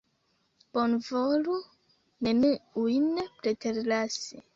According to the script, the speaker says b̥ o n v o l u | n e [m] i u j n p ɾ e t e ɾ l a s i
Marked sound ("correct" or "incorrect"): incorrect